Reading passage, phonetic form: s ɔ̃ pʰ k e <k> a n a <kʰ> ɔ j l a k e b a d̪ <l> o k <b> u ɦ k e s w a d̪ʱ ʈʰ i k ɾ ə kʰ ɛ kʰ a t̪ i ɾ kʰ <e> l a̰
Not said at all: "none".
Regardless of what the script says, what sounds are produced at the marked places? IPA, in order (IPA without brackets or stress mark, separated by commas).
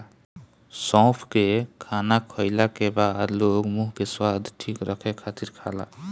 kʰ, kʰ, l, m, a